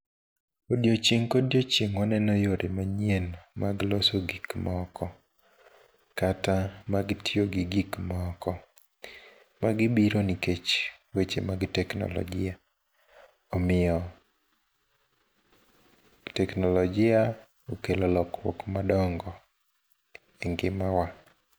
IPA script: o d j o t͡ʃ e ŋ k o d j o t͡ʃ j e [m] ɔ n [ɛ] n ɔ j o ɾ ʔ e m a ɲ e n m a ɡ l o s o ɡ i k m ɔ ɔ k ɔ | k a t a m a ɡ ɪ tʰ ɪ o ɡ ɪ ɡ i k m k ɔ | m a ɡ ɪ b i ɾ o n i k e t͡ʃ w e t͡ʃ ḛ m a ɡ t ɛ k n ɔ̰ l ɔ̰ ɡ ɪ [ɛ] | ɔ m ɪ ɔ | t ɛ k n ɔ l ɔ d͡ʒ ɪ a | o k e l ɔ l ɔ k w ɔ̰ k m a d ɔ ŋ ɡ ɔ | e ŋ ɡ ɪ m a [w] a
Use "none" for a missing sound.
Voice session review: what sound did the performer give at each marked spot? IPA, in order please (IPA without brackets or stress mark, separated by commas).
ŋ, ɛ, a, w